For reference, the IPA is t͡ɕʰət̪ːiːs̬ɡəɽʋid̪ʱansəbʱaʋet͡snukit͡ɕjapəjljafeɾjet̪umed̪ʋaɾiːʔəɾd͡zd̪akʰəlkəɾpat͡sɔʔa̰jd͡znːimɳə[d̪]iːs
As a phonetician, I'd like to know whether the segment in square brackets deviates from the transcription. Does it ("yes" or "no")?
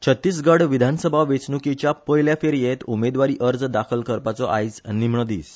no